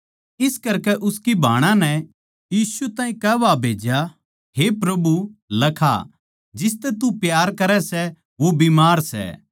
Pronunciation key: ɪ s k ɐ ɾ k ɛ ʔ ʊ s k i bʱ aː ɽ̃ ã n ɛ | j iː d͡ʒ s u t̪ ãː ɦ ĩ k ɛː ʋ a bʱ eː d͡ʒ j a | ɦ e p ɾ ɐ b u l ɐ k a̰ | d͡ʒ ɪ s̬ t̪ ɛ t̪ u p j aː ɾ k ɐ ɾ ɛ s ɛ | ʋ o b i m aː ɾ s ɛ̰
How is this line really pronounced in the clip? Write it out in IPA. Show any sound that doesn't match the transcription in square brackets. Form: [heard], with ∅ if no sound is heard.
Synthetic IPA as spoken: ɪ s k ɐ ɾ k ɛ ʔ ʊ s k i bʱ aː ɽ̃ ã n ɛ | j iː [∅] s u t̪ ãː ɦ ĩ k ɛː ʋ a bʱ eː d͡ʒ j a | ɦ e p ɾ ɐ b u l ɐ [kʰ] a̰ | d͡ʒ ɪ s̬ t̪ ɛ t̪ u p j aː ɾ k ɐ ɾ ɛ s ɛ | ʋ o b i m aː ɾ s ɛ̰